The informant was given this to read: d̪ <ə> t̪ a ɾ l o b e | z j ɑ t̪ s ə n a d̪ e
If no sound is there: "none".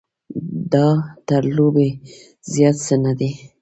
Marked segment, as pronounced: ɑ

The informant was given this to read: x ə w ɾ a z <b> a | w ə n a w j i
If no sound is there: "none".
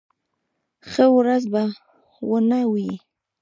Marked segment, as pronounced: b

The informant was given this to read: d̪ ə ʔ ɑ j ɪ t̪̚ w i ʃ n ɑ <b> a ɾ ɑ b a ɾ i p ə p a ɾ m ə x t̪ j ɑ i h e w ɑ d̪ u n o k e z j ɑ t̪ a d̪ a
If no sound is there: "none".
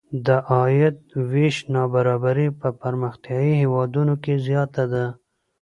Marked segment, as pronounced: b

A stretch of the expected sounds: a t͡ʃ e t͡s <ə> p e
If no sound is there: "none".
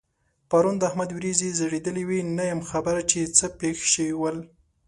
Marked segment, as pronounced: ə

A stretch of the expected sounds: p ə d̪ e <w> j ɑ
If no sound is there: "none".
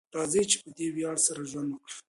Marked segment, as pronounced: w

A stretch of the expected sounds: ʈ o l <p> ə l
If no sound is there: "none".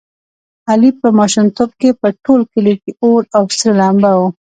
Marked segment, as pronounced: k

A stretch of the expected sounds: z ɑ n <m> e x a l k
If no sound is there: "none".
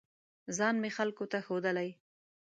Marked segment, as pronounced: m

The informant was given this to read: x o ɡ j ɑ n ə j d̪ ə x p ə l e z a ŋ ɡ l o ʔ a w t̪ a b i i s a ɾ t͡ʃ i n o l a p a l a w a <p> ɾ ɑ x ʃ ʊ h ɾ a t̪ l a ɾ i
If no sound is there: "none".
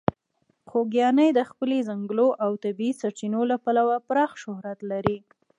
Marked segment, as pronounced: p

